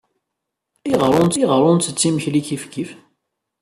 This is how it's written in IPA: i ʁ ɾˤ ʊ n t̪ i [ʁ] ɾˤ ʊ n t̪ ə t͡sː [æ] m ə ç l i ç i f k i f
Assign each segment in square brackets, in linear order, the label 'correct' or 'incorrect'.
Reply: correct, incorrect

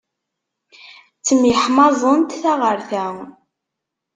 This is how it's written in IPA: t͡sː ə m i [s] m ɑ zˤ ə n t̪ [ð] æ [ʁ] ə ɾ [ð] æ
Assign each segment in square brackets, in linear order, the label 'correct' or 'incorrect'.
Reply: incorrect, incorrect, correct, incorrect

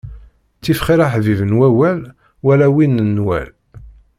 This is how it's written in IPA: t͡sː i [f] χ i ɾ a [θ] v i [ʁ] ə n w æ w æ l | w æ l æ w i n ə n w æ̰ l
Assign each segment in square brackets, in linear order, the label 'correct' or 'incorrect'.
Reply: correct, incorrect, incorrect

